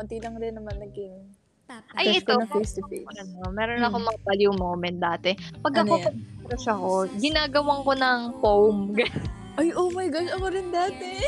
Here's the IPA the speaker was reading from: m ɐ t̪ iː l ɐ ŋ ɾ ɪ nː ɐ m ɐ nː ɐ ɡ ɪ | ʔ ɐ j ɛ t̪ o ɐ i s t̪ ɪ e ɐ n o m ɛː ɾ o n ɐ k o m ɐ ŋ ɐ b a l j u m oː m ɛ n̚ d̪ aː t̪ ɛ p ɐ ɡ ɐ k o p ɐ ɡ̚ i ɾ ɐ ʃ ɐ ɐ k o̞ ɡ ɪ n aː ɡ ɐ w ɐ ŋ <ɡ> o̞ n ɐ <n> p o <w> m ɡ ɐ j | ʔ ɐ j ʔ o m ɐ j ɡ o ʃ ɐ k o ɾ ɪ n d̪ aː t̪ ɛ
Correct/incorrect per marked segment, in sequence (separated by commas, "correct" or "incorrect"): incorrect, incorrect, correct